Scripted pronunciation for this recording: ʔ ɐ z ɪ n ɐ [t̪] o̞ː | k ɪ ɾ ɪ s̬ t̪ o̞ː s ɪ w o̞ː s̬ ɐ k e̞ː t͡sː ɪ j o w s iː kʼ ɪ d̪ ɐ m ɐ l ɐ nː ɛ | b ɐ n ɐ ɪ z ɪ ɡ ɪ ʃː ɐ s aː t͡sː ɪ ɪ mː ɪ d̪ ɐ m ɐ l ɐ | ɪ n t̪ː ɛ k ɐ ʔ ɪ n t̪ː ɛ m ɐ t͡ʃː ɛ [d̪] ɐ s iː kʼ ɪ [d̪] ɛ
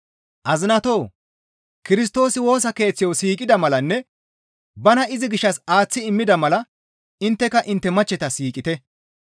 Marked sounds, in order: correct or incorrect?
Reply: correct, incorrect, incorrect

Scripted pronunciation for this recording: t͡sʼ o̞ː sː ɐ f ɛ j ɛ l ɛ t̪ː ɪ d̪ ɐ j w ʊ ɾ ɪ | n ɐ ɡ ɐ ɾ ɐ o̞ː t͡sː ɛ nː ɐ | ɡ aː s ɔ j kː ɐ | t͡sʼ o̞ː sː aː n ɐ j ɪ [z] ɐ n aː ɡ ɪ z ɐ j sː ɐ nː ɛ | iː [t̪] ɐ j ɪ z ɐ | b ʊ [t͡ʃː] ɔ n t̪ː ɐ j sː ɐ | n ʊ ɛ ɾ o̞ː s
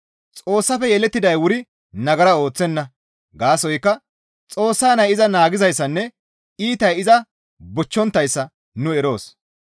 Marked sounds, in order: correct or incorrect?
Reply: correct, correct, correct

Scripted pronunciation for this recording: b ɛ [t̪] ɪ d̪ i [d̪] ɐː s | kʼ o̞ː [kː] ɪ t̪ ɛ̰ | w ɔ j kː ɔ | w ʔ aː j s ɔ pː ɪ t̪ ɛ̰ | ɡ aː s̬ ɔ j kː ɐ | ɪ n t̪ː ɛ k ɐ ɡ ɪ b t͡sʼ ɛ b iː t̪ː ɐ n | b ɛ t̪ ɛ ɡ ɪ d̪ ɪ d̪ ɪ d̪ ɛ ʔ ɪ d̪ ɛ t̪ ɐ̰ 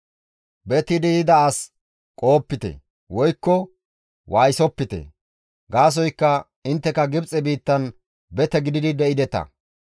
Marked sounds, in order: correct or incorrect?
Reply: correct, correct, incorrect

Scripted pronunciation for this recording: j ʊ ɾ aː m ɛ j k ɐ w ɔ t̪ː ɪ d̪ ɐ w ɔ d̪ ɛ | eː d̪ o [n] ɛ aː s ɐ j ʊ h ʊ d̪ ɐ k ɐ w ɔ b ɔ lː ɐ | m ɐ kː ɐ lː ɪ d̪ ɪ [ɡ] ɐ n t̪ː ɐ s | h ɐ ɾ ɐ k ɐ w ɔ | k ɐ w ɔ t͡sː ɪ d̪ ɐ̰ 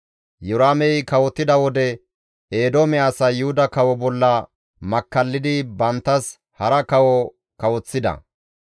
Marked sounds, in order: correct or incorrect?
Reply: incorrect, incorrect

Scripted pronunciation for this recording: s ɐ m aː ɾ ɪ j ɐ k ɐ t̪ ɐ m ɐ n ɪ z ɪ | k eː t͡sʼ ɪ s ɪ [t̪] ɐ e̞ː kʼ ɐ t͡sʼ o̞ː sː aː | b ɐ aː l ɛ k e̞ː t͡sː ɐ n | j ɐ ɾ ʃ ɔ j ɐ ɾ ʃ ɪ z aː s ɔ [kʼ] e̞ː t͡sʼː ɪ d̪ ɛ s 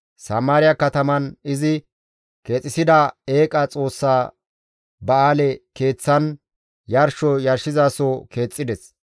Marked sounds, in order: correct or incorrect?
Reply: incorrect, incorrect

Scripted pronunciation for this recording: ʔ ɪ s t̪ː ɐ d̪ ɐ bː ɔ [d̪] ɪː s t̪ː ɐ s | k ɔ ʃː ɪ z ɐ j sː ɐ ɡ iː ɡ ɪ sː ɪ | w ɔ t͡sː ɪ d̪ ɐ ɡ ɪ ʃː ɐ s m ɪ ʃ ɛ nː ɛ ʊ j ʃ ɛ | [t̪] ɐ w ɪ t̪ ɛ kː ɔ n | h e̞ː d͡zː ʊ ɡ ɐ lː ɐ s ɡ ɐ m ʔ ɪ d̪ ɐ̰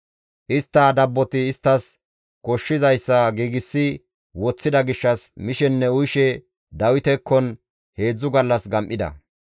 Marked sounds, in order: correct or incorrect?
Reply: incorrect, incorrect

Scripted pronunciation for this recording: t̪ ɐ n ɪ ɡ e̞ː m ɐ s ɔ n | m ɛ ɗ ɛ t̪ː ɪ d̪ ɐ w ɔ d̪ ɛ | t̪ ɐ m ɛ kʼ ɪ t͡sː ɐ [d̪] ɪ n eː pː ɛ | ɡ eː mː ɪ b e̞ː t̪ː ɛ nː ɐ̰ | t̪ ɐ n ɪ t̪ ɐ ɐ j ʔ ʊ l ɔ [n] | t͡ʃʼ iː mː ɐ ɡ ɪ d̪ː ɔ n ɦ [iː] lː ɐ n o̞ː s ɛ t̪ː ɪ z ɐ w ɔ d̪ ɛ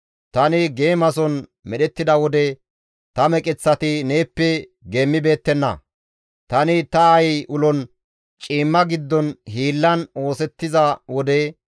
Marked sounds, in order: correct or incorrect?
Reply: incorrect, correct, correct

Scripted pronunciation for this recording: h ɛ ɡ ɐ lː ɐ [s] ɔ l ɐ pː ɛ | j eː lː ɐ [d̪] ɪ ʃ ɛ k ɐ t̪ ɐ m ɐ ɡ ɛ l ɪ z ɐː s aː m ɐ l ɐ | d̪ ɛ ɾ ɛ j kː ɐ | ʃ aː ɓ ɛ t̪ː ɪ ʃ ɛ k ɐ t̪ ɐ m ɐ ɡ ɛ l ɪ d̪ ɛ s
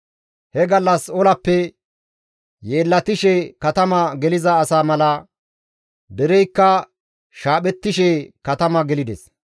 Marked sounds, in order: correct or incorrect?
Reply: correct, incorrect

